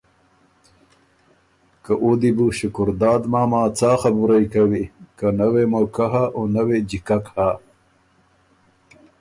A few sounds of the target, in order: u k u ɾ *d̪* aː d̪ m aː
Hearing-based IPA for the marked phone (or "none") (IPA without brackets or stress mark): d̪